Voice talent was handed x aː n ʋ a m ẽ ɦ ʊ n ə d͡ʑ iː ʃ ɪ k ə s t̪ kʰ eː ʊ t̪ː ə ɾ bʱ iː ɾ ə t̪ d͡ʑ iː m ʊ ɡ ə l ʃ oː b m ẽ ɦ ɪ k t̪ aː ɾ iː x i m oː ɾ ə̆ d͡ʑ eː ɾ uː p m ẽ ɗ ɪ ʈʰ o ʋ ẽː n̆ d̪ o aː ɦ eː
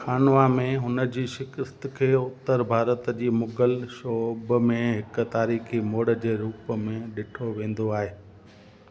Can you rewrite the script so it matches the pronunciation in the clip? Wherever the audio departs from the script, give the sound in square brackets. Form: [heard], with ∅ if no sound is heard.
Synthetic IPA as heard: x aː n ʋ a m ẽ ɦ ʊ n ə d͡ʑ iː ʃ ɪ k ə s t̪ kʰ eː ʊ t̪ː ə ɾ bʱ [aː] ɾ ə t̪ d͡ʑ iː m ʊ ɡ ə l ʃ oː b m ẽ ɦ ɪ k t̪ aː ɾ iː x i m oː [ɽ] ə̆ d͡ʑ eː ɾ uː p m ẽ ɗ ɪ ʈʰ o ʋ ẽː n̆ d̪ o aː ɦ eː